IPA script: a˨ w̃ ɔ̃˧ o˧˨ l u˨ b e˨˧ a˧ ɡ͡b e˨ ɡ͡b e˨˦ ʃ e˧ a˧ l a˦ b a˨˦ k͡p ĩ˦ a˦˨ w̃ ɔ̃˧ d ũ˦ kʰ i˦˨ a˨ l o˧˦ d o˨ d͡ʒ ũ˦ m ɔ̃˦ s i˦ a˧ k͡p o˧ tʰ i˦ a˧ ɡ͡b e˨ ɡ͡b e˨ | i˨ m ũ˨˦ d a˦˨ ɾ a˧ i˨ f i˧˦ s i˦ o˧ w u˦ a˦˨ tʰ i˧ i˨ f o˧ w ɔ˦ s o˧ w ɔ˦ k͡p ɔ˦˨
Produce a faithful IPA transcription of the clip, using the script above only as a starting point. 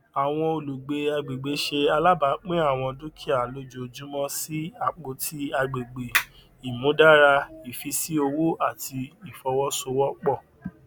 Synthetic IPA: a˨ w̃ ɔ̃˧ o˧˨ l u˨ ɡ͡b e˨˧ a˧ ɡ͡b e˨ ɡ͡b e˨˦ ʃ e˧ a˧ l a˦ b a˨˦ k͡p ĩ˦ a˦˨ w̃ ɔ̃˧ d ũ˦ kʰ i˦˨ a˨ l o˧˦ d͡ʒ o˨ d͡ʒ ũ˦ m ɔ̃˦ s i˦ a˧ k͡p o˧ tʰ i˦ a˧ ɡ͡b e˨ ɡ͡b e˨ | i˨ m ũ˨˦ d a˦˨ ɾ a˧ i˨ f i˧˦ s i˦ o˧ w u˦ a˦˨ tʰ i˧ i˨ f ɔ˧ w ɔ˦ s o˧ w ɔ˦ k͡p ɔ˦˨